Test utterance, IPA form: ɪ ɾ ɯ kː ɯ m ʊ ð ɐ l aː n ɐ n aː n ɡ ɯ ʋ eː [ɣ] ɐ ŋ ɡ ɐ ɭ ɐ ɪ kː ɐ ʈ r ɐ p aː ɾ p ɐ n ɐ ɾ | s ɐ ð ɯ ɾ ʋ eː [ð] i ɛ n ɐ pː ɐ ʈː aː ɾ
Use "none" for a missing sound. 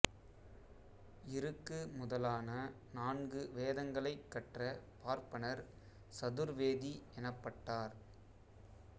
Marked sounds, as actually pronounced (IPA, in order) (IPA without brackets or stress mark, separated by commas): ð, ð